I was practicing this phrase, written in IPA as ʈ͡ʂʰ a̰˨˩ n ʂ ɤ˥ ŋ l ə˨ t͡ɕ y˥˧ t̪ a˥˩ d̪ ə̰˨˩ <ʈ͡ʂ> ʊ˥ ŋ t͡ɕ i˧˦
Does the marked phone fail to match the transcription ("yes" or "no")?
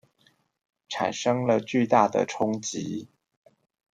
yes